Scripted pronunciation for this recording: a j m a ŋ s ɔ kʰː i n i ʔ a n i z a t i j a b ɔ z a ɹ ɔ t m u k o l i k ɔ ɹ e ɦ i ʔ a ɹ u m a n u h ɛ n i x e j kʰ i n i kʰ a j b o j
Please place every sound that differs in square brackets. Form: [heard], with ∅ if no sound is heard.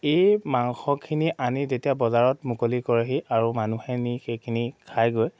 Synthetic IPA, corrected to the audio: [e] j m a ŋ [x] ɔ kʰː i n i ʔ a n i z [e] t i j a b ɔ z a ɹ ɔ t m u k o l i k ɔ ɹ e ɦ i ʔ a ɹ u m a n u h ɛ n i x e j kʰ i n i kʰ a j [ɡ] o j